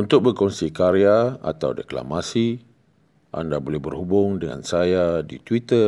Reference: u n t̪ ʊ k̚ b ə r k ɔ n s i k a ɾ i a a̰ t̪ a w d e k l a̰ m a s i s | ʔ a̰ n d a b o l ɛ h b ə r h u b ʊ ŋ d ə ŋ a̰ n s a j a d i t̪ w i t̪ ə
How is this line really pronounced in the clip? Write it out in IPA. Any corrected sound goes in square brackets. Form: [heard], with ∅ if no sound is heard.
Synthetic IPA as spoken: u n t̪ ʊ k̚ b ə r k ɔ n s i k a ɾ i a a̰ t̪ a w d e k l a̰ m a s i [∅] | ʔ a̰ n d a b o l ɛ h b ə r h u b ʊ ŋ d ə ŋ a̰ n s a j a d i t̪ w i t̪ ə